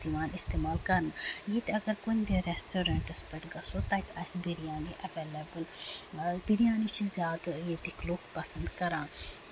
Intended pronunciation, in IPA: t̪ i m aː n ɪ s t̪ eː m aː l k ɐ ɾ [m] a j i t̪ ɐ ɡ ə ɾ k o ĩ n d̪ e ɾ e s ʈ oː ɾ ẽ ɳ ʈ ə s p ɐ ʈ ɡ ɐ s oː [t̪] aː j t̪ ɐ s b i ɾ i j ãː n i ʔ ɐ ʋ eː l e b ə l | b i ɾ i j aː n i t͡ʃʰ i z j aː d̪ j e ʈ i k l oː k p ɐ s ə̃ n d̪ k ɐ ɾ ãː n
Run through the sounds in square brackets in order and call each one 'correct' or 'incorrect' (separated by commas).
incorrect, correct